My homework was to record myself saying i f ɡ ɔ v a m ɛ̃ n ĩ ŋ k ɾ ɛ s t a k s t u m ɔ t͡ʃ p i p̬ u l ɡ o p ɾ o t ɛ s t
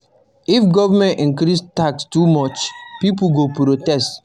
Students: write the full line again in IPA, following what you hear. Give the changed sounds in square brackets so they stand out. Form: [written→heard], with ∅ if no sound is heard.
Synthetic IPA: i f ɡ ɔ v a m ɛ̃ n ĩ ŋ k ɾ [ɛ→i] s t a k s t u m ɔ t͡ʃ p i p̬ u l ɡ o p ɾ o t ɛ s t